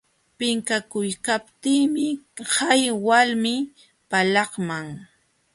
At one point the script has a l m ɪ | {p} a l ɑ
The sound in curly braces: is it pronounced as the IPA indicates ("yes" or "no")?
yes